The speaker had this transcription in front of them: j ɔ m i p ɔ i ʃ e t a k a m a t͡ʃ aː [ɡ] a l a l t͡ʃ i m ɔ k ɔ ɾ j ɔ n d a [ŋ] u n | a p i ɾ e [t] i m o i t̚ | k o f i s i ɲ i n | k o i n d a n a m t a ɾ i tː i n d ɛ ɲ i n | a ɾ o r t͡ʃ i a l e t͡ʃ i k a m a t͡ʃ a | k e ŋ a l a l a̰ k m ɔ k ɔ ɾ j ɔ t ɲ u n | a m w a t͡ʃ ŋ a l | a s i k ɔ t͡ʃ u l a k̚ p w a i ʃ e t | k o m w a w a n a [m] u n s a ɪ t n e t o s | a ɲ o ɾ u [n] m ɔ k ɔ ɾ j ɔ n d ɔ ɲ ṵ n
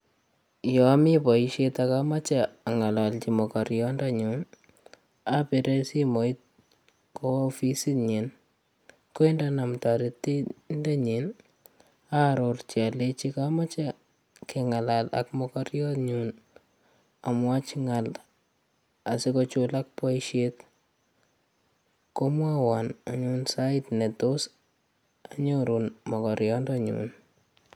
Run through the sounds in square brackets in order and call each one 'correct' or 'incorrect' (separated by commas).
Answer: incorrect, incorrect, incorrect, incorrect, correct